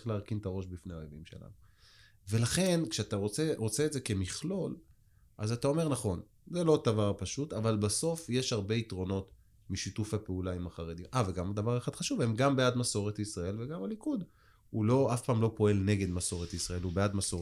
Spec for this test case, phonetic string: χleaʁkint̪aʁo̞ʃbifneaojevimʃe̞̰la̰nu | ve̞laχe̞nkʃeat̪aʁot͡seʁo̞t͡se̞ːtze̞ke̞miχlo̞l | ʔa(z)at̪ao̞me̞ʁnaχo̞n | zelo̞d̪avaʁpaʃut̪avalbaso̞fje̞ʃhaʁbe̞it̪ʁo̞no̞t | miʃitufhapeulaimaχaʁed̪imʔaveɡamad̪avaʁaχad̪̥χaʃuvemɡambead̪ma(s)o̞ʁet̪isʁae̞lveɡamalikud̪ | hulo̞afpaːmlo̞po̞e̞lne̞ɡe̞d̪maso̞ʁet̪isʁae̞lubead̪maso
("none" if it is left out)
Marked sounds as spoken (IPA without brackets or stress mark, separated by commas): z, s